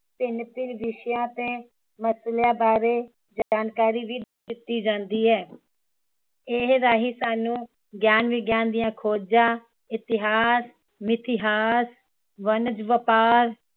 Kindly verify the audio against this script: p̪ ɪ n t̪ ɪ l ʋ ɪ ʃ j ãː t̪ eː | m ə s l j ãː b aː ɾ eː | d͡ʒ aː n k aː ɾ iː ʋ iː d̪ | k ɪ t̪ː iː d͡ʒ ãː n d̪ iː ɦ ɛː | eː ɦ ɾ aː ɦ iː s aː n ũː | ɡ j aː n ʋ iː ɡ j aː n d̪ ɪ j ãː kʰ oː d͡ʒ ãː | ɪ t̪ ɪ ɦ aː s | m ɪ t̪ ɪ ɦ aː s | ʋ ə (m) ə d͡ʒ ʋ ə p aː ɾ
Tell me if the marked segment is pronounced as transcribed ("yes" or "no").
no